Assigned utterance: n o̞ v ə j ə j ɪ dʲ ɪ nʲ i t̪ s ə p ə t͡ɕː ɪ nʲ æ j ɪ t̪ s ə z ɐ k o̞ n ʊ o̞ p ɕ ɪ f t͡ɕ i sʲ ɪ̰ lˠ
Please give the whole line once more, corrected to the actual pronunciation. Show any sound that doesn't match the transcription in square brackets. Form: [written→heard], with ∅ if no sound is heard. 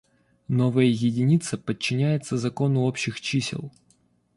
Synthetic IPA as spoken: n o̞ v ə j ə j ɪ dʲ ɪ nʲ i t̪ s ə p ə t͡ɕː ɪ nʲ æ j ɪ t̪ s ə z ɐ k o̞ n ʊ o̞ p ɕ ɪ [f→x] t͡ɕ i sʲ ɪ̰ lˠ